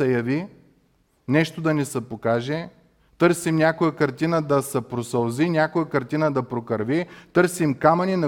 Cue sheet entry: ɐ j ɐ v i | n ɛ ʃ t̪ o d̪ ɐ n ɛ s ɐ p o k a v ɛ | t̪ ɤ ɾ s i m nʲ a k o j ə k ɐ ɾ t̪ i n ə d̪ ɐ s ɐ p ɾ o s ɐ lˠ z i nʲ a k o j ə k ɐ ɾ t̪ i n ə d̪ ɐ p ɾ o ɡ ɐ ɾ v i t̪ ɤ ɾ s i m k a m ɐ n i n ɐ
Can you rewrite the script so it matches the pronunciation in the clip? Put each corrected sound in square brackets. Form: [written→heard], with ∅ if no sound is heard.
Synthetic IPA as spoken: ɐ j ɐ v i | n ɛ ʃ t̪ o d̪ ɐ n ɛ s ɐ p o k a [v→ʒ] ɛ | t̪ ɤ ɾ s i m nʲ a k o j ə k ɐ ɾ t̪ i n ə d̪ ɐ s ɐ p ɾ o s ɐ lˠ z i nʲ a k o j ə k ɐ ɾ t̪ i n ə d̪ ɐ p ɾ o [ɡ→k] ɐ ɾ v i t̪ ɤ ɾ s i m k a m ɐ n i n ɐ